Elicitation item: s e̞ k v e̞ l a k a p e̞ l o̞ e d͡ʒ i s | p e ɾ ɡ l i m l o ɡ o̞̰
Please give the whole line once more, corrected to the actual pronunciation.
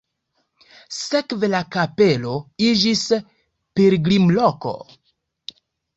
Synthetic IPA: s e̞ k v e̞ l a k a p e̞ l o̞ i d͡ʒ i s | p e ɾ ɡ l i m l o k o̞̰